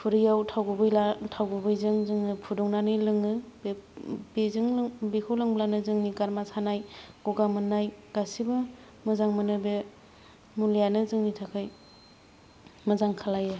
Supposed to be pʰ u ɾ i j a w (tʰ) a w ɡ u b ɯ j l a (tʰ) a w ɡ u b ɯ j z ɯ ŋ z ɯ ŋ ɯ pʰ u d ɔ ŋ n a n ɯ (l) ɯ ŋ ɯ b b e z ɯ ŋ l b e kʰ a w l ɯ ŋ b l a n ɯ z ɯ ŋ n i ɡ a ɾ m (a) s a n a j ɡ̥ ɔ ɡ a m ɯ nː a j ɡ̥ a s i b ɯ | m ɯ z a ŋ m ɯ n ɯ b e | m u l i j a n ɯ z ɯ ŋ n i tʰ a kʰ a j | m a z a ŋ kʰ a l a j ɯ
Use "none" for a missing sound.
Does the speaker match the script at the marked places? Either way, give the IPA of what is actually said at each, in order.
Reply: tʰ, tʰ, l, a

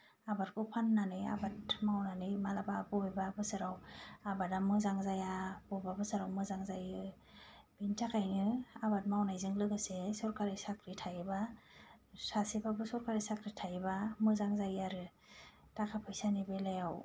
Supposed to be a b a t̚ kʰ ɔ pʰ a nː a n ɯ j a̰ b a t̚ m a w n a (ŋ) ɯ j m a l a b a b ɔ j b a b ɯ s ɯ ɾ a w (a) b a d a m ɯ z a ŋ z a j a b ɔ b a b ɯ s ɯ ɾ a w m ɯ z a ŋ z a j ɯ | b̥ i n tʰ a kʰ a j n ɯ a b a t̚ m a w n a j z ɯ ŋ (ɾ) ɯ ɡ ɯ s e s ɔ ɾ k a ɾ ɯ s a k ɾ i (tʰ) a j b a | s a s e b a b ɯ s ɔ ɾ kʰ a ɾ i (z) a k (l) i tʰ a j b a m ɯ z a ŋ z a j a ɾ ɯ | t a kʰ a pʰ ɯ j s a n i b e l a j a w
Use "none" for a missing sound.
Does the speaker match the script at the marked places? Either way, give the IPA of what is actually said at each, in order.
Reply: n, a, l, tʰ, s, ɾ

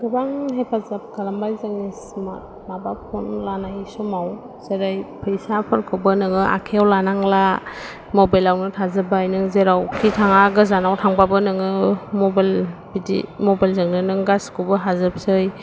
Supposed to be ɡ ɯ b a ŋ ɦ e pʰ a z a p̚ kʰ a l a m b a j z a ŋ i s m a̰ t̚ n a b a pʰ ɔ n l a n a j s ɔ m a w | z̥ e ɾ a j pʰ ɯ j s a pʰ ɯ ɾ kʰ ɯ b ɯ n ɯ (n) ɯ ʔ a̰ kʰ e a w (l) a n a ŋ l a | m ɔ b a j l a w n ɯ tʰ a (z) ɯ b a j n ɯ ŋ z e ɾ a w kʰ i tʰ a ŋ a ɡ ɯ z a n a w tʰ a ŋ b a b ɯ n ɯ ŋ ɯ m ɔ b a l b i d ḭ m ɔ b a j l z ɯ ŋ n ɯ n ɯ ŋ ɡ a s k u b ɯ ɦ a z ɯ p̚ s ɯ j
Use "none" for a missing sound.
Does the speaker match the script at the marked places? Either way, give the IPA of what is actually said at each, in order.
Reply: ŋ, l, z

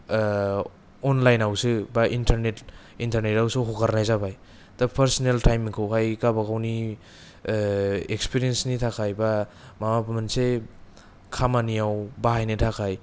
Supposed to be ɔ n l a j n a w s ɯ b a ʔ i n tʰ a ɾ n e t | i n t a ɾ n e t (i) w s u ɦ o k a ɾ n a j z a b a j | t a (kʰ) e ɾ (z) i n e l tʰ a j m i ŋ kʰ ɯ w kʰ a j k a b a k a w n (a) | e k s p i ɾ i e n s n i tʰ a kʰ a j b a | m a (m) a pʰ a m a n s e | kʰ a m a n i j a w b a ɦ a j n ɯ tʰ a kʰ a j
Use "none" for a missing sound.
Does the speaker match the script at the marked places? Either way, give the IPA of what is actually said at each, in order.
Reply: a, pʰ, s, i, m

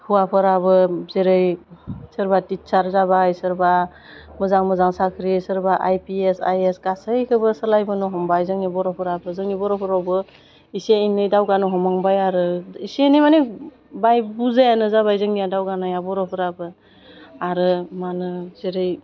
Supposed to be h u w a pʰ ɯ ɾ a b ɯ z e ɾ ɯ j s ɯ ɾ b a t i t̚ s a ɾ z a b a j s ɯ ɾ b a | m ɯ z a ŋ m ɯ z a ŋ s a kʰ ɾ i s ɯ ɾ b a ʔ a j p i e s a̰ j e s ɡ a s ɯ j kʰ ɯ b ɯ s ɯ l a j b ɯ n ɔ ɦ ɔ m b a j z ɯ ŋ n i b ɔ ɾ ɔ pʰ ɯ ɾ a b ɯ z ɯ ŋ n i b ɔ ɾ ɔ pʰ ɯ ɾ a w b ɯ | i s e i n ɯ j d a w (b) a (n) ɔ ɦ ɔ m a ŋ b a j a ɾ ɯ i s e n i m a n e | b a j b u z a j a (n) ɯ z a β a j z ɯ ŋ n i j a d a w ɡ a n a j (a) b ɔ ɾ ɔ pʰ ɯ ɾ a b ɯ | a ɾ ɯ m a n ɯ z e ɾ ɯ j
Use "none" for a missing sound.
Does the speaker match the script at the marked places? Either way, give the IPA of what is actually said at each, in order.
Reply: ɡ, n, n, a

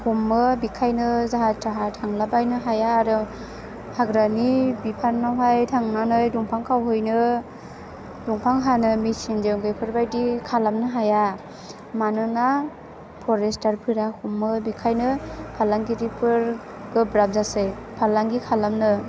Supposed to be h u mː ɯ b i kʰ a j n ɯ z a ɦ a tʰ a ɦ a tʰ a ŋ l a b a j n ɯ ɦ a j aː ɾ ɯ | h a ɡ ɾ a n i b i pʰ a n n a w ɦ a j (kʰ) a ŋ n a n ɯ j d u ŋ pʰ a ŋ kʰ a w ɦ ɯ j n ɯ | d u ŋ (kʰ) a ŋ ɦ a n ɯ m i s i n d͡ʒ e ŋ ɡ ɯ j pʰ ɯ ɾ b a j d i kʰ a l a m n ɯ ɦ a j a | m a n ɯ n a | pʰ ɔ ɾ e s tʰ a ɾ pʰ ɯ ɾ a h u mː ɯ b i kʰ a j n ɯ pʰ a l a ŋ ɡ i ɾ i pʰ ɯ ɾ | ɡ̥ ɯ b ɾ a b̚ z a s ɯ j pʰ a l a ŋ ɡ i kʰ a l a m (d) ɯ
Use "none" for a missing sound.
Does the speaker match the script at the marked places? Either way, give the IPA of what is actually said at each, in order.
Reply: tʰ, pʰ, n

